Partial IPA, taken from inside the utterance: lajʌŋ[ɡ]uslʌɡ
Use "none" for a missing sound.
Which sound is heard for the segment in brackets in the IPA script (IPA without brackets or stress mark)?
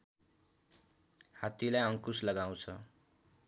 k